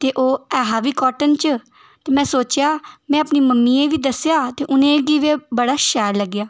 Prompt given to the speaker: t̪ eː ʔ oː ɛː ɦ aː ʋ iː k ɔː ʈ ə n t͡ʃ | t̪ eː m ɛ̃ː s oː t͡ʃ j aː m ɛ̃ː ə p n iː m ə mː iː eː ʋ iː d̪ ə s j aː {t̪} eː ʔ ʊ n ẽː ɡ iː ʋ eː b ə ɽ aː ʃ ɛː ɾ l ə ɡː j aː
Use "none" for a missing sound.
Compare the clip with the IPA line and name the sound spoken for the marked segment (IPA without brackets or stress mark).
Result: t̪